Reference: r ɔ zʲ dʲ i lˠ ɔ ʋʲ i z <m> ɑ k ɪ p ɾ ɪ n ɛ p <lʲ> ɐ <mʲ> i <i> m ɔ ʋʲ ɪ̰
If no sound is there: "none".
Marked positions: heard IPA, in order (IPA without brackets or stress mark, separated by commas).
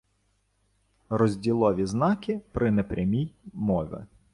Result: n, ɾʲ, mʲ, j